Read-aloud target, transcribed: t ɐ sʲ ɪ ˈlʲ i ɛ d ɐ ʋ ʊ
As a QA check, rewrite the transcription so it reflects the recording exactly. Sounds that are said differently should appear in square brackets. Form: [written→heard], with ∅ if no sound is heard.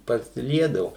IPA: [t→p] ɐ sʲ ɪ ˈlʲ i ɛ d ɐ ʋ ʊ